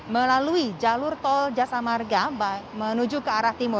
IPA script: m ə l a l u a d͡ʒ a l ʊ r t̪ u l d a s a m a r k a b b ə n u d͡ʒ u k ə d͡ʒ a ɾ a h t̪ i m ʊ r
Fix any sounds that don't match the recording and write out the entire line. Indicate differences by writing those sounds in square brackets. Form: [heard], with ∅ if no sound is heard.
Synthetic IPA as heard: m ə l a l u [i] d͡ʒ a l ʊ r t̪ [ɔ] l [d͡ʒ] a s a m a r [ɡ] a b [m] ə n u d͡ʒ u k ə [∅] a ɾ a h t̪ i m ʊ r